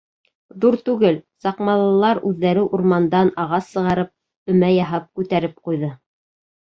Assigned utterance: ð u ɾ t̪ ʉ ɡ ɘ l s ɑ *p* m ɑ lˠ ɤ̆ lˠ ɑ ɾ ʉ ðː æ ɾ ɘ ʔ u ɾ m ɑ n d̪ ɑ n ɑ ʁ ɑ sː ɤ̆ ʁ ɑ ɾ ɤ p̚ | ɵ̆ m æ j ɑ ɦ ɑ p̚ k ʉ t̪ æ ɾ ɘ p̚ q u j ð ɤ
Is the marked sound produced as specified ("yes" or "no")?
no